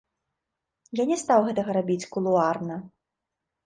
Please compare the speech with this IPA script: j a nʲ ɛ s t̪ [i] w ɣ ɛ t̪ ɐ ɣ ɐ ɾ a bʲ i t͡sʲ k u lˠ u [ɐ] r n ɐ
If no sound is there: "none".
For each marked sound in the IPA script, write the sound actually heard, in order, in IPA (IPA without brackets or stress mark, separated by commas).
a, a